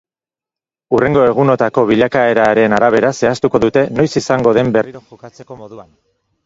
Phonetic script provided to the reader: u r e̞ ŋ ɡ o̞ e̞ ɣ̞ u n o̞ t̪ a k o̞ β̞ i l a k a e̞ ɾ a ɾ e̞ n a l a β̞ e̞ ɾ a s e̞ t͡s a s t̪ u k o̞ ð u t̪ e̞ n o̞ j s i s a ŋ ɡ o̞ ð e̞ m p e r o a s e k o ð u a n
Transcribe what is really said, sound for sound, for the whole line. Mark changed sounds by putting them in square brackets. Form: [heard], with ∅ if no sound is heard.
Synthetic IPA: u r e̞ ŋ ɡ o̞ e̞ ɣ̞ u n o̞ t̪ a k o̞ β̞ i [ʎ] a k a e̞ ɾ a ɾ e̞ n a [ɾ] a β̞ e̞ ɾ a s e̞ [∅] a s t̪ u k o̞ ð u t̪ e̞ n o̞ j s i s a ŋ ɡ o̞ ð e̞ m [b] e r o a [t͡s] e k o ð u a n